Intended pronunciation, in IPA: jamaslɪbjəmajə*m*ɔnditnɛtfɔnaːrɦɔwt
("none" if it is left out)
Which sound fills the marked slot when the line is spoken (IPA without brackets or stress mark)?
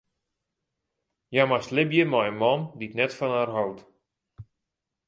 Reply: m